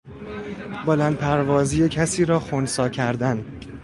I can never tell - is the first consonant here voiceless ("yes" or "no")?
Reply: no